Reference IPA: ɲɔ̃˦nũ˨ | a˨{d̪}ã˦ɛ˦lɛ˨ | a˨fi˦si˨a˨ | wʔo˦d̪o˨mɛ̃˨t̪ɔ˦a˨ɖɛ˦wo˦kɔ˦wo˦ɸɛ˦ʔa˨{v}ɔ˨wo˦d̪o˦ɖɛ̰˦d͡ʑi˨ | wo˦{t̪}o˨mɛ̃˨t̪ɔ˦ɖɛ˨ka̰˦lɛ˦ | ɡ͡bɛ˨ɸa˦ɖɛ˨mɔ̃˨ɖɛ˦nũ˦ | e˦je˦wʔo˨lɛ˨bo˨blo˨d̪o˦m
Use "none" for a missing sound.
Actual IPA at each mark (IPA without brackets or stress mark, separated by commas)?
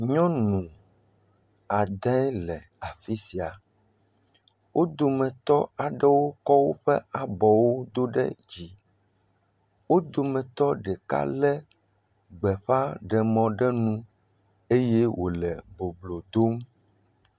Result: d̪, b, d̪